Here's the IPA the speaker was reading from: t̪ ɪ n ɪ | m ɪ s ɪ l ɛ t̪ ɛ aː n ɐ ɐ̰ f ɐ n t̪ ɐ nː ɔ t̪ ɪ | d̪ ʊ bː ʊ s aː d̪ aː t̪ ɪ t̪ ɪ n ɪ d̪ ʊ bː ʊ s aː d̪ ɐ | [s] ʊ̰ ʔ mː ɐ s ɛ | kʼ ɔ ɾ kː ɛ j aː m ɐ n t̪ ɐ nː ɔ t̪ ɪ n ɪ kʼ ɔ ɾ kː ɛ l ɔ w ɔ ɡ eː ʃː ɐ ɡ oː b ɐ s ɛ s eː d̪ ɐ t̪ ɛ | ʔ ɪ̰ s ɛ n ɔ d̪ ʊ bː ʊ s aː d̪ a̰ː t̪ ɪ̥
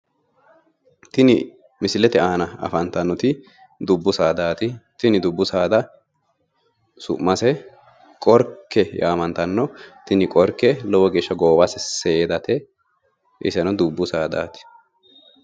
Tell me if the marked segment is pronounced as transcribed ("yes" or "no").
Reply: yes